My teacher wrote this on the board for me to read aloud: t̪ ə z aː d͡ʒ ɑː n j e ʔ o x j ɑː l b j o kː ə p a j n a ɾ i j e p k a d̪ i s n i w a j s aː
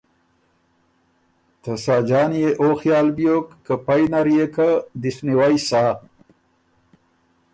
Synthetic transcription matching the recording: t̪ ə s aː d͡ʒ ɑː n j e ʔ o x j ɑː l b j o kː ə p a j n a ɾ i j e k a d̪ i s n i w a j s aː